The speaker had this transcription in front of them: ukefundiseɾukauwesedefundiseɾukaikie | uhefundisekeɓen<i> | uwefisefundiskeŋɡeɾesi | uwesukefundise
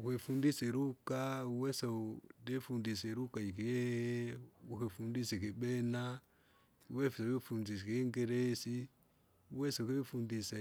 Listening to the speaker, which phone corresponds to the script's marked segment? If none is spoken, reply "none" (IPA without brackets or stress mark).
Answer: a